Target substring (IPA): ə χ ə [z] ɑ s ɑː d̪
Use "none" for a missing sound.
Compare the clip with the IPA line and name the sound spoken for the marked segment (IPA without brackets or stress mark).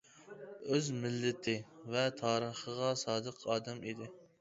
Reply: ʁ